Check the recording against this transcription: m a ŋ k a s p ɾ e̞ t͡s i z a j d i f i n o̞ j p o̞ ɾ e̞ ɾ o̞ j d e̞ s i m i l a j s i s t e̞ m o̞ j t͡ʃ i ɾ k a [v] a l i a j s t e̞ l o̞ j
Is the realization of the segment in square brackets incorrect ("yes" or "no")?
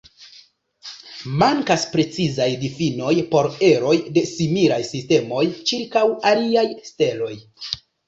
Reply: yes